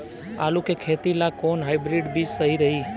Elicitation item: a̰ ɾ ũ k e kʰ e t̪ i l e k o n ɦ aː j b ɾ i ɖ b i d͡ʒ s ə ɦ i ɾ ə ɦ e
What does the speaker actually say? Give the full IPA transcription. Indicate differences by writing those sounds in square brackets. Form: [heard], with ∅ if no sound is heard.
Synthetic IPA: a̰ [l] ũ k e kʰ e t̪ i l [a] k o n ɦ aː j b ɾ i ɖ b i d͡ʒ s ə ɦ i ɾ ə ɦ [i]

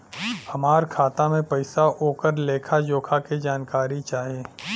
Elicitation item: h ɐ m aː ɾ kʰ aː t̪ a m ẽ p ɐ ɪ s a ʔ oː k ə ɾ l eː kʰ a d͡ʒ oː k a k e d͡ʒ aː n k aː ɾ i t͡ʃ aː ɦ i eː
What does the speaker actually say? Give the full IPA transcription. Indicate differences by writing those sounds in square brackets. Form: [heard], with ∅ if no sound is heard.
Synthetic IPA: h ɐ m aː ɾ kʰ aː t̪ a m ẽ p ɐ ɪ s a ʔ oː k ə ɾ l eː kʰ a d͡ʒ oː [kʰ] a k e d͡ʒ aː n k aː ɾ i t͡ʃ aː ɦ i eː

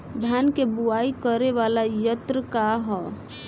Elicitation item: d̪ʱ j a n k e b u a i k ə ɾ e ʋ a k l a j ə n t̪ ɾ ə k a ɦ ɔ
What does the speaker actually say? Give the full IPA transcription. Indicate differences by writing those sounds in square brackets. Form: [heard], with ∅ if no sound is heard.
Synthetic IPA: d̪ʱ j a n k e b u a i k ə ɾ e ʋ a [∅] l a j ə [∅] t̪ ɾ ə k a ɦ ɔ

